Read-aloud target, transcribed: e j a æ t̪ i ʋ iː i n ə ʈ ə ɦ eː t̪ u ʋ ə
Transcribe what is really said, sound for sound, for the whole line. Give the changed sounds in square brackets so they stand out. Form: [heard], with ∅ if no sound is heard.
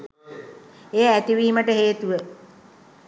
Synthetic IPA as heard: e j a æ t̪ i ʋ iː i [m] ə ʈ ə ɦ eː t̪ u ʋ ə